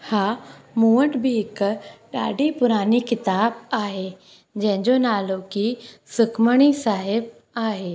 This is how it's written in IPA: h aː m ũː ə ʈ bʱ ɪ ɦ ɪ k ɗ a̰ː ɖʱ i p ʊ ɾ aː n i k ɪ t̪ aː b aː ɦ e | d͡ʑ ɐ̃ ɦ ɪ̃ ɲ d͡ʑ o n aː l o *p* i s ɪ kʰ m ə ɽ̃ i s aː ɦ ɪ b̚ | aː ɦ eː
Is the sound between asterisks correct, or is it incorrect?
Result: incorrect: k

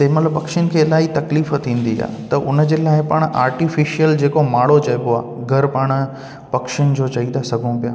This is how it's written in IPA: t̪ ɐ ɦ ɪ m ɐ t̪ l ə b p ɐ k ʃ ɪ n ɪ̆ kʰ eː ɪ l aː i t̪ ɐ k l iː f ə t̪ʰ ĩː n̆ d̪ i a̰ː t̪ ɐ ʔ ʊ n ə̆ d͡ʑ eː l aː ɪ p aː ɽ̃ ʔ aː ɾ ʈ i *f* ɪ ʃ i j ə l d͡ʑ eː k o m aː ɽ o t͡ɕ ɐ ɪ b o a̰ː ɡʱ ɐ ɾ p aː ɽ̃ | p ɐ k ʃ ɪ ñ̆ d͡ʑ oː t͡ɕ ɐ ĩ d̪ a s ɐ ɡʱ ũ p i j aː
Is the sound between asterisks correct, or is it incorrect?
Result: correct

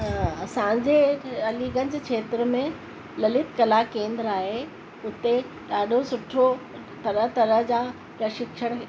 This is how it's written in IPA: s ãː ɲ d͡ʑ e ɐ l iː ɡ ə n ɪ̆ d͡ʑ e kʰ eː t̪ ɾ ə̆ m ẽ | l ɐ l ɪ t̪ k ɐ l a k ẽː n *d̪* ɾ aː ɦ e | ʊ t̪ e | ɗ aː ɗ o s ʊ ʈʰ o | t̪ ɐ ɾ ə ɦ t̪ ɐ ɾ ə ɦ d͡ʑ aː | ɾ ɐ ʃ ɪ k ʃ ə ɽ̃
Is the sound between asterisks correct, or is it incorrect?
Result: correct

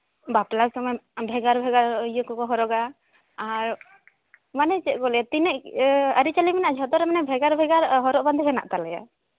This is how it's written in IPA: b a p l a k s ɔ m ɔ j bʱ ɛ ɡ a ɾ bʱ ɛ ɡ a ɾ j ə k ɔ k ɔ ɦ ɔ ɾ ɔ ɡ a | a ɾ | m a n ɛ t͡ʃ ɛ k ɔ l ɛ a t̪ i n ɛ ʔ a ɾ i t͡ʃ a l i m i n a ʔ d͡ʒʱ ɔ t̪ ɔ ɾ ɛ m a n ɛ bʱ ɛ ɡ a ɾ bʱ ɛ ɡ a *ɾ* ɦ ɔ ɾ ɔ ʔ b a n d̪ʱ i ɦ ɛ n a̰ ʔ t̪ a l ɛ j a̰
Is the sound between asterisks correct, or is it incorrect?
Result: correct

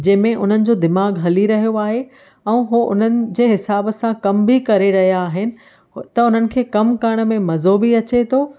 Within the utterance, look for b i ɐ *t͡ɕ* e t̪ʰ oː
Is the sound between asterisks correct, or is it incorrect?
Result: correct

